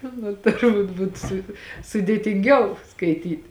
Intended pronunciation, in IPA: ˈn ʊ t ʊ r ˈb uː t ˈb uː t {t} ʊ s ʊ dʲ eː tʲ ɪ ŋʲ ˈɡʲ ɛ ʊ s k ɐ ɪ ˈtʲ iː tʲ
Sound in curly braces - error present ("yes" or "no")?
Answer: yes